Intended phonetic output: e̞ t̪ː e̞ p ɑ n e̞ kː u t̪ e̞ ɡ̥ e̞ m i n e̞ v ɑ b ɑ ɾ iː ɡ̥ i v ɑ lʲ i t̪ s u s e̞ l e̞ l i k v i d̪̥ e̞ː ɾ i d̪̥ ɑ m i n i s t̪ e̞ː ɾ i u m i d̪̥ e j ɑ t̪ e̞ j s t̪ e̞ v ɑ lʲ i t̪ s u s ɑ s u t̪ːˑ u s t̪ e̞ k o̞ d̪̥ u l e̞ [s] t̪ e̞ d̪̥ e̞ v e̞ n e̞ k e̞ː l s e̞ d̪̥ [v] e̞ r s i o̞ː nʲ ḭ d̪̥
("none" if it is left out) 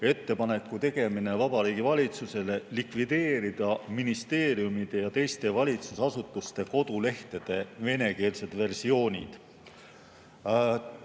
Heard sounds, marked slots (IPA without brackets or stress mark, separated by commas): h, v